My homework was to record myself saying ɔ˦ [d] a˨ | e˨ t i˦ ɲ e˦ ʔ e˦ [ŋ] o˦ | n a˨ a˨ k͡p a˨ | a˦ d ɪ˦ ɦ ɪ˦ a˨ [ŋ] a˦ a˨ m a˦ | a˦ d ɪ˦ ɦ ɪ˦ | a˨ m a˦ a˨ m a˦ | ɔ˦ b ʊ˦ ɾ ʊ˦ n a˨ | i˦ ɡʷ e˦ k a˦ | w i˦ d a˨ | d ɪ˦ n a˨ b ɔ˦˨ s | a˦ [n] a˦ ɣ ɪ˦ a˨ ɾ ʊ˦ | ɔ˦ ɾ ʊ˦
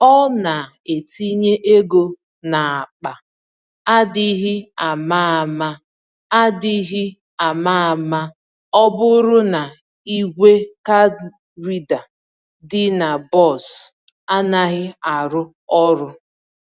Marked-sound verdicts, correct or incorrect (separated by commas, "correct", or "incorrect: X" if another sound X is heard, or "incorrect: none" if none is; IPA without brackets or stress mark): incorrect: n, incorrect: ɡ, incorrect: m, correct